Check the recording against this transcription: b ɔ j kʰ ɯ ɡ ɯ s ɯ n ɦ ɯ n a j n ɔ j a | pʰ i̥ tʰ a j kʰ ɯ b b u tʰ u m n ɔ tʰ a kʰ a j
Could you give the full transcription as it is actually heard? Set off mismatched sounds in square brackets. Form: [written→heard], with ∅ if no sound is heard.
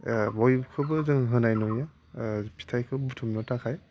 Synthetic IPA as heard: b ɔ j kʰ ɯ [ɡ→b] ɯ [s→z] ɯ [n→ŋ] ɦ ɯ n a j n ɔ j a | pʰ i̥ tʰ a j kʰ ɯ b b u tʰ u m n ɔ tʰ a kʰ a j